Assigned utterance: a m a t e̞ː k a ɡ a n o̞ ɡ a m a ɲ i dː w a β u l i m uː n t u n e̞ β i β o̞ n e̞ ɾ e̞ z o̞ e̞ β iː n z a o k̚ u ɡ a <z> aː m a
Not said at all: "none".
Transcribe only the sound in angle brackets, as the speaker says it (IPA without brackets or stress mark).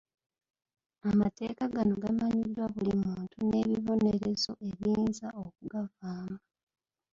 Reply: v